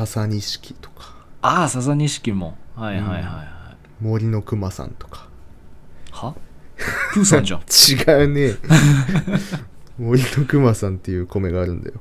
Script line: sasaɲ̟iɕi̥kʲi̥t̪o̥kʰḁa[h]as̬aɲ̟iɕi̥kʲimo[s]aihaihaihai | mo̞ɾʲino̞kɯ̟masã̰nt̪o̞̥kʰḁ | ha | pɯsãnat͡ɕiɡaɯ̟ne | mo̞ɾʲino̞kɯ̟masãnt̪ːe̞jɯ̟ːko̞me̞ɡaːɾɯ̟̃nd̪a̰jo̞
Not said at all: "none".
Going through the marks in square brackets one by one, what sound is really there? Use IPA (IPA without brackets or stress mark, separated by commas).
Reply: s, h